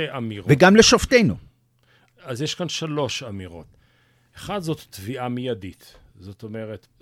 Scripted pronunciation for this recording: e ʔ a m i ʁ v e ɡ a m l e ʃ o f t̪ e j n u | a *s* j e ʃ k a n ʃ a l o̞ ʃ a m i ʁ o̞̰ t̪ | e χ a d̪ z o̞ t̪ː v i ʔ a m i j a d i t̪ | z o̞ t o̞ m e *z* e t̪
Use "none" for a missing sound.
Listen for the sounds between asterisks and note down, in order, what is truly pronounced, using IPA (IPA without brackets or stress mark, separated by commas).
z, ʁ